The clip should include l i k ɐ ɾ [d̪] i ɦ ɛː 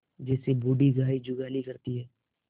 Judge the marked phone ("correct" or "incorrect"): incorrect